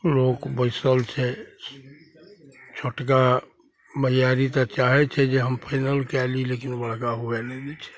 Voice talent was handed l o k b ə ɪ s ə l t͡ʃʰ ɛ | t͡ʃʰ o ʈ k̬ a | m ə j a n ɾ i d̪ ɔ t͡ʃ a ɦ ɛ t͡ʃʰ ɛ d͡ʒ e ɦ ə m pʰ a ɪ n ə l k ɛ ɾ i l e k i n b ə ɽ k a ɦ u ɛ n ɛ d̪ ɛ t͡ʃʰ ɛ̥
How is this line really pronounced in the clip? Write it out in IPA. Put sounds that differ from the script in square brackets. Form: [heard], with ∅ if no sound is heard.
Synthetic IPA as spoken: l o k b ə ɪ s ə l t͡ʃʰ ɛ | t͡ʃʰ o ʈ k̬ a | m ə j a [∅] ɾ i [t̪] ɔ t͡ʃ a ɦ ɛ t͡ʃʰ ɛ d͡ʒ e ɦ ə m pʰ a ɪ n ə l k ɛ [l] i l e k i n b ə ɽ k a ɦ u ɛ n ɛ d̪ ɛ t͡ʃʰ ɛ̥